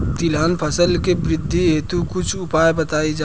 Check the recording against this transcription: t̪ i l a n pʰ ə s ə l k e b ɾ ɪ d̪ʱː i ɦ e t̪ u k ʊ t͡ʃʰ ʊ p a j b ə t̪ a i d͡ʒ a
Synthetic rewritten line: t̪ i l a n pʰ ə s ə l k e b ɾ ɪ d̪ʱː i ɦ e t̪ u k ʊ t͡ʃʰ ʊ p a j b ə t̪ a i d͡ʒ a

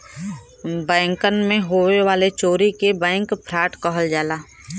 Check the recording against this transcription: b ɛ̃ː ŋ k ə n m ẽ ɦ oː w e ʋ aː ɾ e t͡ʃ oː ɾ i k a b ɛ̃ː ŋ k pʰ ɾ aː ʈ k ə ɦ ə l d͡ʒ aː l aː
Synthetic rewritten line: b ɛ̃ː ŋ k ə n m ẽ ɦ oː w e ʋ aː l e t͡ʃ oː ɾ i k e b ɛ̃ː ŋ k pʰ ɾ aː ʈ k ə ɦ ə l d͡ʒ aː l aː

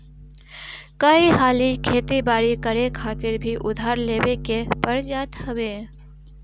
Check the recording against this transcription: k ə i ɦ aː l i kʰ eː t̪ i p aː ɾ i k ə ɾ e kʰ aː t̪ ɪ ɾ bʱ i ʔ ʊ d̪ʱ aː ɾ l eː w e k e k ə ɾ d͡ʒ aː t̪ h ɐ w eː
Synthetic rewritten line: k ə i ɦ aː l i kʰ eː t̪ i b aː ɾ i k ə ɾ e kʰ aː t̪ ɪ ɾ bʱ i ʔ ʊ d̪ʱ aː ɾ l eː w e k e p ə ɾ d͡ʒ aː t̪ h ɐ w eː

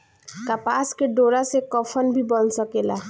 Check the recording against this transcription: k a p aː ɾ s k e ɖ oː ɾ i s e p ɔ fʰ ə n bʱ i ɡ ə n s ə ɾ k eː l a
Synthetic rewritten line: k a p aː s k e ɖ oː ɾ a s e k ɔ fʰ ə n bʱ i b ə n s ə k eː l a

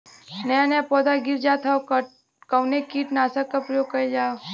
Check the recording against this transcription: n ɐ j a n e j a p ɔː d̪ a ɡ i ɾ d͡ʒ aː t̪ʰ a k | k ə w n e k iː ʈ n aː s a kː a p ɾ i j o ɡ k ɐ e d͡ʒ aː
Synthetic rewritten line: n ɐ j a n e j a p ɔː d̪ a ɡ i ɾ d͡ʒ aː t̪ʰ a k | k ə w n e k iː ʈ n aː s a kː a p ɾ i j o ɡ k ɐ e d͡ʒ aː

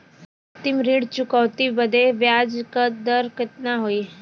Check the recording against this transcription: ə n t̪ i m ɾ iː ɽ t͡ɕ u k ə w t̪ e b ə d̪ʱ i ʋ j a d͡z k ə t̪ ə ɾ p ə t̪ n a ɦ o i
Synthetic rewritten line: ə t̪ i m ɾ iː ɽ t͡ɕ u k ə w t̪ i b ə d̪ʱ e ʋ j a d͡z k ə d̪ ə ɾ k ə t̪ n a ɦ o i

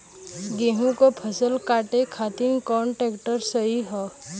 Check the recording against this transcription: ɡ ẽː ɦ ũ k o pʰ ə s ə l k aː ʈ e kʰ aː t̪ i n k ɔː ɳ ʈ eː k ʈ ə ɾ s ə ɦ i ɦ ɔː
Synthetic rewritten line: ɡ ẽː ɦ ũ k o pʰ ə s ə l k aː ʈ e kʰ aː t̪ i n k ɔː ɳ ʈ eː k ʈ ə ɾ s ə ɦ i ɦ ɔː

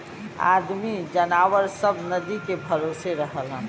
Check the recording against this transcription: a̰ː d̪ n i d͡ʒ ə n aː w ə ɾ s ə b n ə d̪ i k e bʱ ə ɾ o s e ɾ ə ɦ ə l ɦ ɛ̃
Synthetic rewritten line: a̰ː d̪ m i d͡ʒ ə n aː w ə ɾ s ə b n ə d̪ i k e bʱ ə ɾ o s e ɾ ə ɦ ə l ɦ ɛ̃

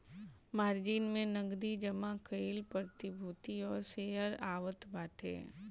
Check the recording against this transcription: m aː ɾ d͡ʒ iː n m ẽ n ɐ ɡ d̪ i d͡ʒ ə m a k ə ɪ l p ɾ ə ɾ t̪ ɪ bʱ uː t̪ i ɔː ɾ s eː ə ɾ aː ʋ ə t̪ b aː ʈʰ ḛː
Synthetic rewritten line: m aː ɾ d͡ʒ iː n m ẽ n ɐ ɡ d̪ i d͡ʒ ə m a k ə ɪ l p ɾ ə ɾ t̪ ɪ bʱ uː t̪ i ɔː ɾ s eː ə ɾ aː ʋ ə t̪ b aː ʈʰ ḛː

